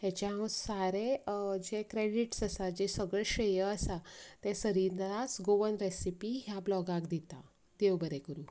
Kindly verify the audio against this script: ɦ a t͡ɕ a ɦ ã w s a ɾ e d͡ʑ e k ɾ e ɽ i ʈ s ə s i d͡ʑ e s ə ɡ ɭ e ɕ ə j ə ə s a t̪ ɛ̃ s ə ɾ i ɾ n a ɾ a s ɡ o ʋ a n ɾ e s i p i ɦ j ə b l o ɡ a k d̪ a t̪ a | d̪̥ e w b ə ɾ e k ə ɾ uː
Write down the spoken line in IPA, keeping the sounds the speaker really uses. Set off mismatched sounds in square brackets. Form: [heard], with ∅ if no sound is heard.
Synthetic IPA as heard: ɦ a t͡ɕ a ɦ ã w s a ɾ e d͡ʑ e k ɾ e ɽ i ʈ s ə s [a] d͡ʑ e s ə ɡ ɭ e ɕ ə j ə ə s a t̪ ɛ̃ s ə ɾ i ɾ n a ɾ a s ɡ o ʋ [ə] n ɾ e s i p i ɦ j [a] b l [ɔ] ɡ a k d̪ [i] t̪ a | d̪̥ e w b ə ɾ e k ə ɾ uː